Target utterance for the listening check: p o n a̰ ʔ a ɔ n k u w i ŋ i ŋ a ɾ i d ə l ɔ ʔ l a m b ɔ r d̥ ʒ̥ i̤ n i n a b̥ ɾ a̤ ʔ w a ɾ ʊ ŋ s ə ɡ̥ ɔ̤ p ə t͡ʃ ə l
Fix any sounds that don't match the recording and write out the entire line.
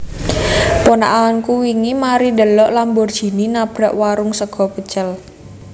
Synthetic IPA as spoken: p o n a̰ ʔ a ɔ n k u w i ŋ i m a ɾ i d ə l ɔ ʔ l a m b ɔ r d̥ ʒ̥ i̤ n i n a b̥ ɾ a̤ ʔ w a ɾ ʊ ŋ s ə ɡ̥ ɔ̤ p ə t͡ʃ ə l